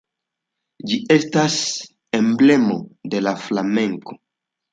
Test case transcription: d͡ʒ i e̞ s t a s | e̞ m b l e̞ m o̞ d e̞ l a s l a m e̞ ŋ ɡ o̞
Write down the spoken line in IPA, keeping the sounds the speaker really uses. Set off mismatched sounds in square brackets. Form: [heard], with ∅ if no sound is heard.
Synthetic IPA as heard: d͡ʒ i e̞ s t a s | e̞ m b l e̞ m o̞ d e̞ l a [f] l a m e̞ ŋ [k] o̞